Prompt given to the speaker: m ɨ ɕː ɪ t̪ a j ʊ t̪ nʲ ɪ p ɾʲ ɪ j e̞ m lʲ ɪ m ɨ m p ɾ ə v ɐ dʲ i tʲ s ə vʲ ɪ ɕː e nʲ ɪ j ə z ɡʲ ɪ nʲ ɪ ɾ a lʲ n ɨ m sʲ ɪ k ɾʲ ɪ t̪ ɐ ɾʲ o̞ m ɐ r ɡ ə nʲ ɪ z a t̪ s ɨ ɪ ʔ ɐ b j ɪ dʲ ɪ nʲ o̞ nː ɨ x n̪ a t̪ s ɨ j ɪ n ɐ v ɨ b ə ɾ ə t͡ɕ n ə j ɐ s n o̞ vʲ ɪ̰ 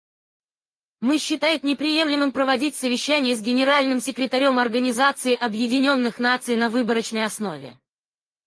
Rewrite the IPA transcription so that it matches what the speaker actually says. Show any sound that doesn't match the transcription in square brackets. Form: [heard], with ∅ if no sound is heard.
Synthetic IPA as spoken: m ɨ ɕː ɪ t̪ a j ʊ t̪ nʲ ɪ p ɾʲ ɪ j e̞ m lʲ ɪ m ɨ m p ɾ ə v ɐ dʲ i tʲ s ə vʲ ɪ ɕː [æ] nʲ ɪ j ə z ɡʲ ɪ nʲ ɪ ɾ a lʲ n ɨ m sʲ ɪ k ɾʲ ɪ t̪ ɐ ɾʲ o̞ m ɐ r ɡ ə nʲ ɪ z a t̪ s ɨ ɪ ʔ ɐ b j ɪ dʲ ɪ nʲ o̞ nː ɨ x n̪ a t̪ s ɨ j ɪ n ɐ v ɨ b ə ɾ ə t͡ɕ n ə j ɐ s n o̞ vʲ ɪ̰